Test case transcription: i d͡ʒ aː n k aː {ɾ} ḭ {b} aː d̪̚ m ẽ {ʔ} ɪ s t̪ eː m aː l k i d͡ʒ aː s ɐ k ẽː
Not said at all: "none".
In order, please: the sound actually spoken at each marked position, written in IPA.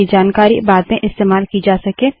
ɾ, b, ʔ

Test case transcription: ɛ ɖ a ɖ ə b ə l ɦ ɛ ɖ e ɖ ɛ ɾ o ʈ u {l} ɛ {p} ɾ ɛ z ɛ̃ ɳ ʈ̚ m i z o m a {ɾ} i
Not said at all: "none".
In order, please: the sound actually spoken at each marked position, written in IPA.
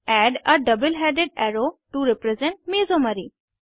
ɾ, p, ɾ

